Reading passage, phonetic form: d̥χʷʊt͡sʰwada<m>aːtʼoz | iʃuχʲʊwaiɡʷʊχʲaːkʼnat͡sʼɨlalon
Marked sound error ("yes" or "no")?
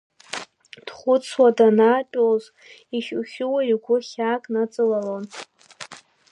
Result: yes